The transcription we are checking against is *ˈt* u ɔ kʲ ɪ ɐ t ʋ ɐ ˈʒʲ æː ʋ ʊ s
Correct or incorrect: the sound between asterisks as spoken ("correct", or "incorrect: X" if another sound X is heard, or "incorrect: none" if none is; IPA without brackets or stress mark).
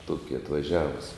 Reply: correct